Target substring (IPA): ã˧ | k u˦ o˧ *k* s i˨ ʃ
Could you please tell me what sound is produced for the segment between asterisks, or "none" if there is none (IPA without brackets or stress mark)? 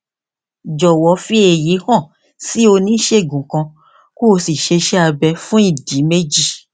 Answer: none